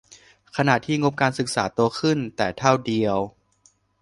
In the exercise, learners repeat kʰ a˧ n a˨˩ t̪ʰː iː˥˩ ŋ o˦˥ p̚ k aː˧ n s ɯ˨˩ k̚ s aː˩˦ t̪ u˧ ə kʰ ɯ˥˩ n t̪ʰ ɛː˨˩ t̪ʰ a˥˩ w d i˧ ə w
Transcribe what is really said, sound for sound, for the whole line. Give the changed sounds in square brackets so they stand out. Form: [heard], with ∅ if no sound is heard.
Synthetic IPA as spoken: kʰ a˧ n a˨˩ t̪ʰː iː˥˩ ŋ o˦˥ p̚ k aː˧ n s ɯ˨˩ k̚ s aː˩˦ t̪ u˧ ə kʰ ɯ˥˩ n [t̪] ɛː˨˩ t̪ʰ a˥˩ w d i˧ ə w